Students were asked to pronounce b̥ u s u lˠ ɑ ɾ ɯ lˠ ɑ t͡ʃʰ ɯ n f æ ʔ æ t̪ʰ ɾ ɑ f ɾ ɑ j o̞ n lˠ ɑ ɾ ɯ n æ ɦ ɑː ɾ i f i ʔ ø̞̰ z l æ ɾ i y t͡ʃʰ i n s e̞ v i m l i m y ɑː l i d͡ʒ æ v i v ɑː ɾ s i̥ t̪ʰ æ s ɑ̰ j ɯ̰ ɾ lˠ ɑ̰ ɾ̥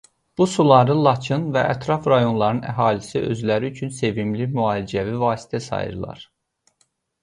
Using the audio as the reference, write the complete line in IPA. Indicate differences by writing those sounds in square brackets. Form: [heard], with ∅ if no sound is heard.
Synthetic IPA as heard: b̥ u s u lˠ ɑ ɾ ɯ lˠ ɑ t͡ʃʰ ɯ n [v] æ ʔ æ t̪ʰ ɾ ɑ f ɾ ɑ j o̞ n lˠ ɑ ɾ ɯ n æ ɦ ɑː [l] i [s] i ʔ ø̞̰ z l æ ɾ i y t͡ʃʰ [y] n s e̞ v i m l i m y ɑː l i d͡ʒ æ v i v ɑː [∅] s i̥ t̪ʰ æ s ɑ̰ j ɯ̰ ɾ lˠ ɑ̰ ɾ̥